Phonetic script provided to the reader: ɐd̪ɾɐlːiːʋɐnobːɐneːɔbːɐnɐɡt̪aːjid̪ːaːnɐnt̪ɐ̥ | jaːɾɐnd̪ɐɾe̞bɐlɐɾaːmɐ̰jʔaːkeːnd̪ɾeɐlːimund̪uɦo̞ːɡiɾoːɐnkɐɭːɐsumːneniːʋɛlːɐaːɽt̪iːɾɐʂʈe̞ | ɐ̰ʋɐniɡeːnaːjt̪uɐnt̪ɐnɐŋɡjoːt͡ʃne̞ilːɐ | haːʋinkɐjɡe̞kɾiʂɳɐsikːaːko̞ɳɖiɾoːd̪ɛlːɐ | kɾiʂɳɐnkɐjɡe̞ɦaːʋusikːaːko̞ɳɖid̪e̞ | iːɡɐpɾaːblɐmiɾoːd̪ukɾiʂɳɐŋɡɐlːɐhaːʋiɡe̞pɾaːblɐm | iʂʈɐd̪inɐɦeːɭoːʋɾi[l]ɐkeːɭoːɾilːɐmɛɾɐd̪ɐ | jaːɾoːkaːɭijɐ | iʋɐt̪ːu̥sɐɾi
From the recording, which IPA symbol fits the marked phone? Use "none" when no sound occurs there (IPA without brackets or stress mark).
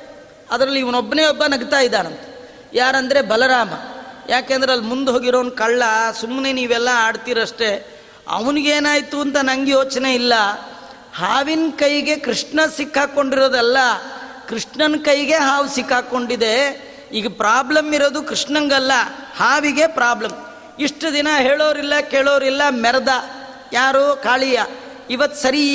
lː